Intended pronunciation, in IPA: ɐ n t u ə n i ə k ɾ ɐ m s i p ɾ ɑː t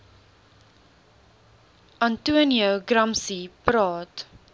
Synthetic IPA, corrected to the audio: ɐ n t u ə n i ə ɡ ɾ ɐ m s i p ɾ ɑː t